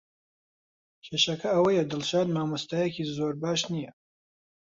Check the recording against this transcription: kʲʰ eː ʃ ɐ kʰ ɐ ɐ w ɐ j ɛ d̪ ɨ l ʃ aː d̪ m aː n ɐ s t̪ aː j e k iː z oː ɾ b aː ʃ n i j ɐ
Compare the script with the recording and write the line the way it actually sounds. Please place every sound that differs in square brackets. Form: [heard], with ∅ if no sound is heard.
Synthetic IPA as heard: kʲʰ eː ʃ ɐ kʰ ɐ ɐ w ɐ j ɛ d̪ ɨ l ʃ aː d̪ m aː [m] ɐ s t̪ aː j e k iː z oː ɾ b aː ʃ n i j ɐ